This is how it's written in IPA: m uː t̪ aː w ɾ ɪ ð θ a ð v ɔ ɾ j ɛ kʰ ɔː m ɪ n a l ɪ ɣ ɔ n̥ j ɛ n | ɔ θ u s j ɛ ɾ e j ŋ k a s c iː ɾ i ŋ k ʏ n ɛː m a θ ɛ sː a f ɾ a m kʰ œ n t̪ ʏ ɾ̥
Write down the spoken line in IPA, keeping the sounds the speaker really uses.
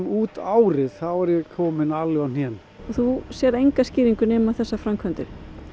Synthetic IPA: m uː t̪ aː w ɾ ɪ ð θ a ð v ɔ ɾ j ɛ kʰ ɔː m ɪ n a l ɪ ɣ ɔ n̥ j ɛ n | ɔ θ u s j ɛ ɾ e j ŋ k a s c iː ɾ i ŋ k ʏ n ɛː m a θ ɛ sː a f ɾ a m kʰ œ n t̪ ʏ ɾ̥